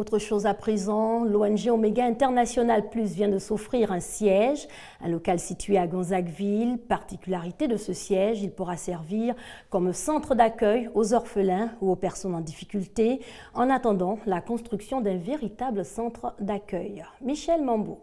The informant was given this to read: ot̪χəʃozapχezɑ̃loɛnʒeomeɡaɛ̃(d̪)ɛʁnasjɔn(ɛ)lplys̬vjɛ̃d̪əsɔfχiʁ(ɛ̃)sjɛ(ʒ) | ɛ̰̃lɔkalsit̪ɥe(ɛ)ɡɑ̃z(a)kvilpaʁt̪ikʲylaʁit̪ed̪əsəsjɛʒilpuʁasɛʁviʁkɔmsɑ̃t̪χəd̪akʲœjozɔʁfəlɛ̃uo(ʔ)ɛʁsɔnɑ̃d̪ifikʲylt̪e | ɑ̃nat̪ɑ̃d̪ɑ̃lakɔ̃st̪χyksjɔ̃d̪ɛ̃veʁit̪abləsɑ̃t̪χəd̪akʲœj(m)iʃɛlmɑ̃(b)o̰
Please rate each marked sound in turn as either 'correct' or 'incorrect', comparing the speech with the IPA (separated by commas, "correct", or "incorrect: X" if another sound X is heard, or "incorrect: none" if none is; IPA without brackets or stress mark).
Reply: incorrect: t̪, incorrect: a, correct, correct, incorrect: a, correct, incorrect: p, correct, correct